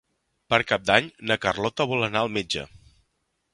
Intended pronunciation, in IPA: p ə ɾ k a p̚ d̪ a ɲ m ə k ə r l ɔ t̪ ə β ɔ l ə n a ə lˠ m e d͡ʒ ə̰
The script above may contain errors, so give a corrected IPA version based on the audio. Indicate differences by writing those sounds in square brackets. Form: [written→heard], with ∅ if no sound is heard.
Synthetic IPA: p ə ɾ k a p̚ d̪ a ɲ [m→n] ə k ə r l ɔ t̪ ə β ɔ l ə n a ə lˠ m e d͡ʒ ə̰